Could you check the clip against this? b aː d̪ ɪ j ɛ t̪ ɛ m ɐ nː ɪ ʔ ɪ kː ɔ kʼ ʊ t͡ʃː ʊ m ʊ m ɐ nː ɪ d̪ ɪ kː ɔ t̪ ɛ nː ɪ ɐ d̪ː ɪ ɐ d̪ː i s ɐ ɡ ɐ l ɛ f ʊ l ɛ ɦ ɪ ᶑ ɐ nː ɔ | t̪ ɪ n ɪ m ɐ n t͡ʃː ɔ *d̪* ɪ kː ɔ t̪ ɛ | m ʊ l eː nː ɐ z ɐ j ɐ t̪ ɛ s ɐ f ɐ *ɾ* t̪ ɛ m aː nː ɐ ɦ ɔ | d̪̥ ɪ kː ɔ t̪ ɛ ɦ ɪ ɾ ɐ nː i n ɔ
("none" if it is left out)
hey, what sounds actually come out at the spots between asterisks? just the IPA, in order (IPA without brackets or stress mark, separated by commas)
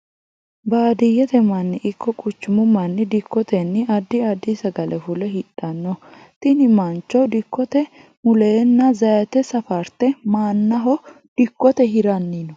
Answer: d̪, ɾ